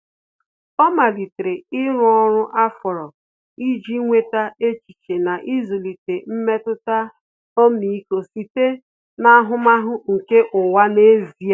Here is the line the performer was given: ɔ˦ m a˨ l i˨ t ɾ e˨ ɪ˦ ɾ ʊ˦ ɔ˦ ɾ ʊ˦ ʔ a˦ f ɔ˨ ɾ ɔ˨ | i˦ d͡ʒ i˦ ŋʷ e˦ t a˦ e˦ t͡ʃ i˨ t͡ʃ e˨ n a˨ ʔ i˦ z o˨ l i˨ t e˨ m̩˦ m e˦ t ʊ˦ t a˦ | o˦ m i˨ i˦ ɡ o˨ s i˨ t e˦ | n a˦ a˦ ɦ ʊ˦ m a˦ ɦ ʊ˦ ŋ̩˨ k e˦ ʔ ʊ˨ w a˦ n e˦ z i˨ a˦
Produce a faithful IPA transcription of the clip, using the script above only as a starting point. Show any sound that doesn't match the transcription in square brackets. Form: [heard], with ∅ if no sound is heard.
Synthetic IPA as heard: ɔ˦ m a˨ l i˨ t ɾ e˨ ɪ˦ ɾ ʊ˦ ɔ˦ ɾ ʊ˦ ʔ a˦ f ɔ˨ ɾ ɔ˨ | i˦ d͡ʒ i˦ ŋʷ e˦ t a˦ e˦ t͡ʃ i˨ t͡ʃ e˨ n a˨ ʔ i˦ z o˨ l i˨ t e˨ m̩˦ m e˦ t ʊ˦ t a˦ | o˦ m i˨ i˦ [k] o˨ s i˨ t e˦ | n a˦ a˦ ɦ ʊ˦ m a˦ ɦ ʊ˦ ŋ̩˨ k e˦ ʔ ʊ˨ w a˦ n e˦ z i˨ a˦